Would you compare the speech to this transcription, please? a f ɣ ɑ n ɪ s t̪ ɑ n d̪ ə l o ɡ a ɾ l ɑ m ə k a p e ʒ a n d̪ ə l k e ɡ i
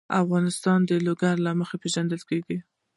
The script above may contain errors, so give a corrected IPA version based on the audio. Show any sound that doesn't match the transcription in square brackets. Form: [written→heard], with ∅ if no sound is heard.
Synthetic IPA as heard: a f ɣ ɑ n ɪ s t̪ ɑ n d̪ ə l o ɡ a ɾ l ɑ m ə [k→x] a p e ʒ a n d̪ ə l k e ɡ i